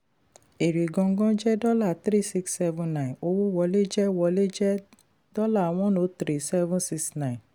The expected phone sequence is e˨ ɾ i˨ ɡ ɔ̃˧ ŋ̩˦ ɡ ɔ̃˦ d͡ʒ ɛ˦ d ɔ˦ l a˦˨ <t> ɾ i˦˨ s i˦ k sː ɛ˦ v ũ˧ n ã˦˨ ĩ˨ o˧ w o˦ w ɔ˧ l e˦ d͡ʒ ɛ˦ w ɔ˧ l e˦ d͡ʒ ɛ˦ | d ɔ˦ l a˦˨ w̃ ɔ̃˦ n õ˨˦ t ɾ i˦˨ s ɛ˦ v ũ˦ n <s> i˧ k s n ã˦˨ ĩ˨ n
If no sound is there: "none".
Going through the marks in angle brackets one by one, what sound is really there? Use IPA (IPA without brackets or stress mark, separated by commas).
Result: t, s